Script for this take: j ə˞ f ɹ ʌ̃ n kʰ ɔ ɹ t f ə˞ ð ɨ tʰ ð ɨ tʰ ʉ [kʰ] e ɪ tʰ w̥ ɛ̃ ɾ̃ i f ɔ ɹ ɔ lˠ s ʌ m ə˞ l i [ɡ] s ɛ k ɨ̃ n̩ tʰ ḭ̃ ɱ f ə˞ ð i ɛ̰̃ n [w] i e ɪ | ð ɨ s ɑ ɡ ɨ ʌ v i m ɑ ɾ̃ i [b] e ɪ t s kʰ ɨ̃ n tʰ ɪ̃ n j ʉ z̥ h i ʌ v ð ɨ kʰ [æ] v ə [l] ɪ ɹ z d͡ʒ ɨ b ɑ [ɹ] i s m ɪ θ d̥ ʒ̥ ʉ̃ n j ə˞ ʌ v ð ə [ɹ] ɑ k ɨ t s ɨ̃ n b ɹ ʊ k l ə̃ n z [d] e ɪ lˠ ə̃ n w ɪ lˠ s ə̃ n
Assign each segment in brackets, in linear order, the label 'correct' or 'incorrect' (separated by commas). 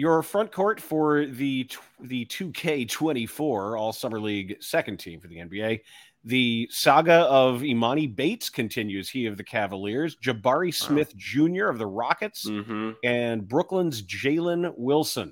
correct, correct, incorrect, correct, correct, correct, correct, correct, incorrect